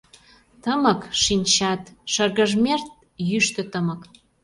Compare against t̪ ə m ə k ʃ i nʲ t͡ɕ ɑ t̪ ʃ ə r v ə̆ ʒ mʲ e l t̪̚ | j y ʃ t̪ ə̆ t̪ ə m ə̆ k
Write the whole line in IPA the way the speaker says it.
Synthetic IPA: t̪ ə m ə k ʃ i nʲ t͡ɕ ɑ t̪ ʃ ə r ɣ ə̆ ʒ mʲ e r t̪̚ | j y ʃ t̪ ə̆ t̪ ə m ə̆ k